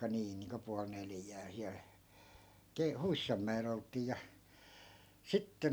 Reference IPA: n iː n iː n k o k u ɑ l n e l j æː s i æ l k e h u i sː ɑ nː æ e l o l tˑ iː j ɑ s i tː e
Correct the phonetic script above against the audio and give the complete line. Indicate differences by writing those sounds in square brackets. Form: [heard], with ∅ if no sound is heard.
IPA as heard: n iː n iː [ŋ] k o [p] u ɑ l n e l j æː s i æ l k e h u i sː ɑ [mː] æ e l o l tˑ iː j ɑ s i tː e